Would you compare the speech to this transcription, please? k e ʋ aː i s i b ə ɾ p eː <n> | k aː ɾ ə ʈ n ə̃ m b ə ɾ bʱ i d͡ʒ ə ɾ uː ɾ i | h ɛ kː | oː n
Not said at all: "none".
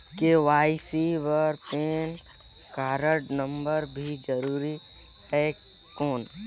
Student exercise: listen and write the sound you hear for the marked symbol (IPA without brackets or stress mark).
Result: n